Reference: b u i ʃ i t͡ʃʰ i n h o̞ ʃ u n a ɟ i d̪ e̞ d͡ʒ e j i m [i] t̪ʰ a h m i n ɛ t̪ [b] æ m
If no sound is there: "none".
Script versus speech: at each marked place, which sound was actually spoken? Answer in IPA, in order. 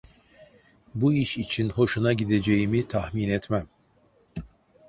i, m

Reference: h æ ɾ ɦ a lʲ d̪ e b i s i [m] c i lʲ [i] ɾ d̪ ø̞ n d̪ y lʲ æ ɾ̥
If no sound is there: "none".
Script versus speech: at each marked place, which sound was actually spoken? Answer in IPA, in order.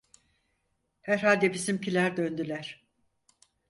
m, æ

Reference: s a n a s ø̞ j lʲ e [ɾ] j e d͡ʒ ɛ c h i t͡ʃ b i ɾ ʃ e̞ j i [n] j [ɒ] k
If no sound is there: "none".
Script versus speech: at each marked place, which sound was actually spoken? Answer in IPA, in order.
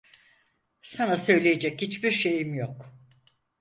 none, m, o

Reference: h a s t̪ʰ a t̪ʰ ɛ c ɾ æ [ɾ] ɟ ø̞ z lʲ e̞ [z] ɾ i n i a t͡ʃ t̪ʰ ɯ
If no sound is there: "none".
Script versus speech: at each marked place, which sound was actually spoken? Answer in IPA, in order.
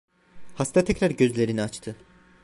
ɾ, none

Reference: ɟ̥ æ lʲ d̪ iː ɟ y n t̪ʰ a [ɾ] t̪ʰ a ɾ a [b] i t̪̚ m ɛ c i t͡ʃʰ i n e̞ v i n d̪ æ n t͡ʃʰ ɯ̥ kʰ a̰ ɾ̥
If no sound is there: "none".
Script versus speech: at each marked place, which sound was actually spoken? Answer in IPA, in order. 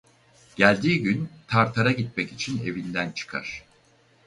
ɾ, ɟ

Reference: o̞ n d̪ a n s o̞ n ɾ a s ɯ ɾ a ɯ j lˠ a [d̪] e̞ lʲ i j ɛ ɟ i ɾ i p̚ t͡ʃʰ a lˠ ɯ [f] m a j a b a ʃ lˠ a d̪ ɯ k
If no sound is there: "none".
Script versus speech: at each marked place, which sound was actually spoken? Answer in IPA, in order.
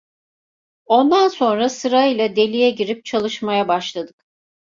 d̪, ʃ

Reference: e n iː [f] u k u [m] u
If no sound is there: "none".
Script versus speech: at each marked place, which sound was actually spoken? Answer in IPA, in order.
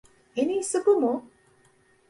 s, m

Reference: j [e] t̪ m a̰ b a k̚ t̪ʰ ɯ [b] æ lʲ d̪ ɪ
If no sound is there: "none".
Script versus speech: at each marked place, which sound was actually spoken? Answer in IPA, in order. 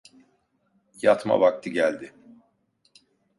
a, ɟ

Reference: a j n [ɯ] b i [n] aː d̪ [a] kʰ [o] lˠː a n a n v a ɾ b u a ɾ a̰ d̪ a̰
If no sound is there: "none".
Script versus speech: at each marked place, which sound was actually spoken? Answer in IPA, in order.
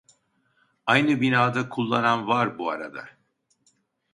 ɯ, n, a, u

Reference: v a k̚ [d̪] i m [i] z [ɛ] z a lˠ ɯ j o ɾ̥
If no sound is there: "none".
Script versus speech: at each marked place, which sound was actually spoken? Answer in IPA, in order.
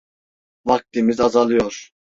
t̪, i, a

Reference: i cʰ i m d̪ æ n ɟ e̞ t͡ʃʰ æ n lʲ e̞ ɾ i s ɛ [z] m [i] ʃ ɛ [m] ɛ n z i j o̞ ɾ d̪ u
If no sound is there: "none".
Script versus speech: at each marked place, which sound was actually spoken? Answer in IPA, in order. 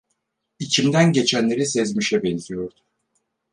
z, i, b

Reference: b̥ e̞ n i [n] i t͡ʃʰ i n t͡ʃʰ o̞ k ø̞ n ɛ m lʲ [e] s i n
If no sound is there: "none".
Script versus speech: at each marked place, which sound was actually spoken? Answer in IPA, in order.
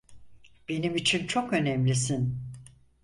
m, i

